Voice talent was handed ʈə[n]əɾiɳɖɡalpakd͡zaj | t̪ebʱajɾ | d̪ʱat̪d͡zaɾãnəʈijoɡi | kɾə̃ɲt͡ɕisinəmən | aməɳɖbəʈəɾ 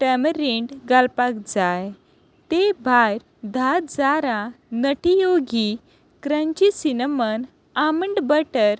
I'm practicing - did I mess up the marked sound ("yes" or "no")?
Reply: yes